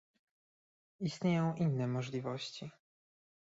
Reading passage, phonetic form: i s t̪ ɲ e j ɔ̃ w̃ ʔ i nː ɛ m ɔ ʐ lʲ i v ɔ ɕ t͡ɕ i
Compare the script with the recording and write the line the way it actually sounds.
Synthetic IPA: i s t̪ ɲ e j ɔ̃ w̃ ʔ i nː ɛ m ɔ ʐ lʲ i v ɔ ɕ t͡ɕ i